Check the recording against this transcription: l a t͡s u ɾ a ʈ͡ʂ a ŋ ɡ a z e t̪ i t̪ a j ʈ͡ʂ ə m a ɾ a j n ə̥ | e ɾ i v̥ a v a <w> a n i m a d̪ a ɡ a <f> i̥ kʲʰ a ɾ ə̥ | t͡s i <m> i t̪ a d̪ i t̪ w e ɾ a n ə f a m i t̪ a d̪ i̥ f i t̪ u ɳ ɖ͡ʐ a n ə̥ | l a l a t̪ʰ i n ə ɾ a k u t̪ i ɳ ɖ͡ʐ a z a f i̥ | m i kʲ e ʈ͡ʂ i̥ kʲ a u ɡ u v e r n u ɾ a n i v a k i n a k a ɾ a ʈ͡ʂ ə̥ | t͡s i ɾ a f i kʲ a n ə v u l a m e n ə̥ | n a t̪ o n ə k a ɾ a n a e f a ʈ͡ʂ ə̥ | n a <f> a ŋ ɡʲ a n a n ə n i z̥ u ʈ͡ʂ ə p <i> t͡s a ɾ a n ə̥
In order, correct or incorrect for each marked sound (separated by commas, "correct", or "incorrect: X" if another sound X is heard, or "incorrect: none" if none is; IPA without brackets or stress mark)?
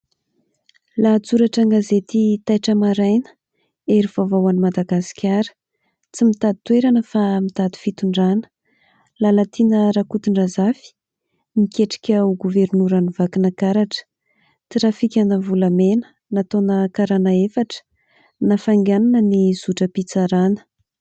correct, incorrect: s, correct, correct, correct